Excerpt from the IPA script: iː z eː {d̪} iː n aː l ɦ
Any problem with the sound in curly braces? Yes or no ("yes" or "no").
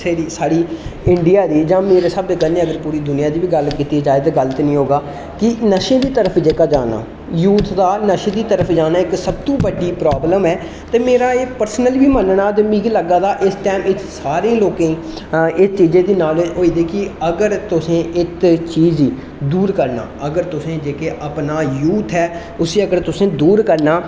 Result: no